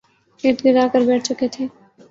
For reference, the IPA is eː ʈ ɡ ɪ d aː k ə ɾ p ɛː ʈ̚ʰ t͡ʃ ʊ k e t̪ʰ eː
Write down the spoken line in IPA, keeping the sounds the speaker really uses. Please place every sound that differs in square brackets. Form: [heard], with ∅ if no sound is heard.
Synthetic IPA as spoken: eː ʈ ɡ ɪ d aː k ə ɾ [b] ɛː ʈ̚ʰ t͡ʃ ʊ k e t̪ʰ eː

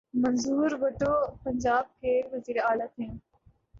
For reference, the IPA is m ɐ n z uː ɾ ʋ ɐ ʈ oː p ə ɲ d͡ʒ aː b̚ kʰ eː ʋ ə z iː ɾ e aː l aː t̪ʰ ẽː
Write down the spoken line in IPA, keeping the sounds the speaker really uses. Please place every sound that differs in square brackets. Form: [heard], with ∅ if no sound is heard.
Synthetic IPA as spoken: m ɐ n z uː ɾ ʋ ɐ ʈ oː p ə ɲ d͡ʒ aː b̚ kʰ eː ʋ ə z iː ɾ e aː l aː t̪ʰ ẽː

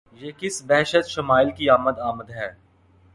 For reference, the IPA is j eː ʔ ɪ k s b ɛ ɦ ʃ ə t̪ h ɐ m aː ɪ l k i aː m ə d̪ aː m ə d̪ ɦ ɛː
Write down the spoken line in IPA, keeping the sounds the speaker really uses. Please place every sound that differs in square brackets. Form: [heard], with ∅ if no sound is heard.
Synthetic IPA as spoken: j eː [k] ɪ [∅] s b ɛ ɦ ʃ ə t̪ [ʃ] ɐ m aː ɪ l k i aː m ə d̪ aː m ə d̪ ɦ ɛː

